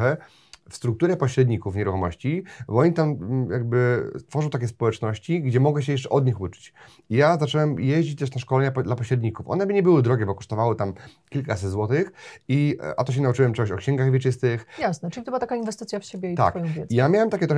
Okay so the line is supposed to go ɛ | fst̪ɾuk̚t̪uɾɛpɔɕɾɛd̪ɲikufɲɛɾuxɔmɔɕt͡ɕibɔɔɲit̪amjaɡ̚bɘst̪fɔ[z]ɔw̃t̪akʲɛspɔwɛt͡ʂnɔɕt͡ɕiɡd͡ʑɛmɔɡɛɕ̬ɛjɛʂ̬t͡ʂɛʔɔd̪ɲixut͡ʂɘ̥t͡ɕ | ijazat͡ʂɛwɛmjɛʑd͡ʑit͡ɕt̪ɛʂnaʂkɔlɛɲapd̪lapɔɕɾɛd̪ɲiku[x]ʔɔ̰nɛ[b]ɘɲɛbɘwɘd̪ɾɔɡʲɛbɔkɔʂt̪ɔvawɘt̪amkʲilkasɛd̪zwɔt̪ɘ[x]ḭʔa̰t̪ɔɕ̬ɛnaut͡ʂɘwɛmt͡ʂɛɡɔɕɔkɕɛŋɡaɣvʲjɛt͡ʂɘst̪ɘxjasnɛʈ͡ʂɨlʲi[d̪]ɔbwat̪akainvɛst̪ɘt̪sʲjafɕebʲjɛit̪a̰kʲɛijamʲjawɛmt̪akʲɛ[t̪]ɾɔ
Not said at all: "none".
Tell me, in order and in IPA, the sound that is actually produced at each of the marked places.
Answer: ʐ, f, b, x, t̪, t̪

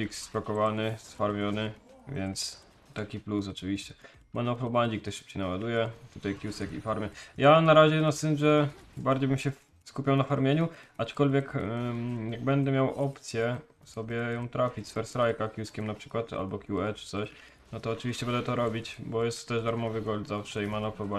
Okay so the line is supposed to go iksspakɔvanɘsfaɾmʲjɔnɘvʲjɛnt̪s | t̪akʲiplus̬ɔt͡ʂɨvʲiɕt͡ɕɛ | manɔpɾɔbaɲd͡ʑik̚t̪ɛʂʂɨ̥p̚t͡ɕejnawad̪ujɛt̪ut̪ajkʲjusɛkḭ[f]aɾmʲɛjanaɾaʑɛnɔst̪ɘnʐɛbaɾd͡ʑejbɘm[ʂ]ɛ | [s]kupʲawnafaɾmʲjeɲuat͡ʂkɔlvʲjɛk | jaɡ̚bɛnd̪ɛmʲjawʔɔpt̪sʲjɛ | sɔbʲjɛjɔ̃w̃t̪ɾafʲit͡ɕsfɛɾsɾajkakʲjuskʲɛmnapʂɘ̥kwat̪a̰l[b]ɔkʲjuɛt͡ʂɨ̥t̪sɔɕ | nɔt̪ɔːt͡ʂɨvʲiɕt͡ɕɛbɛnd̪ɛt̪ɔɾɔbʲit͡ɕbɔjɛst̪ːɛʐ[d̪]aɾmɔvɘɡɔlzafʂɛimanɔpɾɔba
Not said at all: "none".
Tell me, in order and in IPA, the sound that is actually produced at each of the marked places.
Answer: f, ɕ, s, b, d̪

